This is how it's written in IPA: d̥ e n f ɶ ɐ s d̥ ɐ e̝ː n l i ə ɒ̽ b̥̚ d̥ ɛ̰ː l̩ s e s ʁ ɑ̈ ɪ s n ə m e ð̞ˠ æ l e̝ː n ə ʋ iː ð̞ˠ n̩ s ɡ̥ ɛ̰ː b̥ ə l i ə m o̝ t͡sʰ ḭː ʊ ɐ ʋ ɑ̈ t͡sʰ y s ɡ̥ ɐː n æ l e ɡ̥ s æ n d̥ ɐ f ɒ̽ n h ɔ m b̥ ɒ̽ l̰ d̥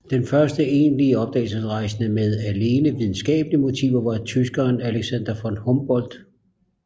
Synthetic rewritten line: d̥ e n f ɶ ɐ s d̥ ə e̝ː n l i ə ɒ̽ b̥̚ d̥ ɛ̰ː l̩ s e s ʁ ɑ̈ ɪ s n ə m e ð̞ˠ æ l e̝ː n ə ʋ i ð̞ˠ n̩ s ɡ̥ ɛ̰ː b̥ ə l i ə m o̝ t͡sʰ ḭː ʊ ɐ ʋ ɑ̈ t͡sʰ y s ɡ̥ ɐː n æ l e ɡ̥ s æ n d̥ ɐ f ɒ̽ n h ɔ m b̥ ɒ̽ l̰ d̥